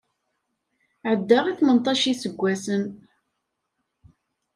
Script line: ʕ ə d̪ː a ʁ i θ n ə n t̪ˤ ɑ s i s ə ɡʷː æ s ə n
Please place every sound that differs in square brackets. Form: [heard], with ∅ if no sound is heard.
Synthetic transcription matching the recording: ʕ ə d̪ː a ʁ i θ [m] ə n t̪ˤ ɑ [ʃ] i s ə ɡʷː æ s ə n